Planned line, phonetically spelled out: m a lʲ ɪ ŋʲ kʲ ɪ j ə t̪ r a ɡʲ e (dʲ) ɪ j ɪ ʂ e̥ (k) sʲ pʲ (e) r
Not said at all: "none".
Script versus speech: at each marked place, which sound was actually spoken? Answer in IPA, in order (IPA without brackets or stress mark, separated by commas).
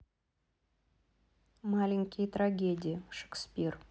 dʲ, k, i